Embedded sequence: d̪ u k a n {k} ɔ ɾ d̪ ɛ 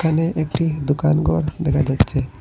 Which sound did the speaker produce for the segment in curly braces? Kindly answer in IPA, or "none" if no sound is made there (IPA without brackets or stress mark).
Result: ɡ